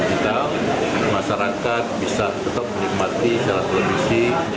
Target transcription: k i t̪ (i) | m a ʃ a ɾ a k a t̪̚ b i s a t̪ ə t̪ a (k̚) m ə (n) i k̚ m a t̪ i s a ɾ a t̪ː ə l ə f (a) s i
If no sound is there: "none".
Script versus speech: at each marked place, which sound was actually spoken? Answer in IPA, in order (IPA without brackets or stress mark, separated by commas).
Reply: a, p̚, n, i